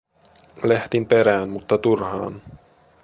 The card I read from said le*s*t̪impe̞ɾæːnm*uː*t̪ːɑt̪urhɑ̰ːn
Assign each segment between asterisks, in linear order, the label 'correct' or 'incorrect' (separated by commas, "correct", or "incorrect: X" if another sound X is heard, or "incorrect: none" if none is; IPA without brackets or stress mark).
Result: incorrect: h, incorrect: u